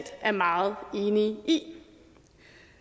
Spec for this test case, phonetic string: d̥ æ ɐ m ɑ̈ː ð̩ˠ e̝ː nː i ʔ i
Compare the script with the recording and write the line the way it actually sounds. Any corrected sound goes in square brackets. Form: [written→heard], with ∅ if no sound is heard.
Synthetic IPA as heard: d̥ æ ɐ m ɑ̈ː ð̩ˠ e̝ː [nː→n] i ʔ i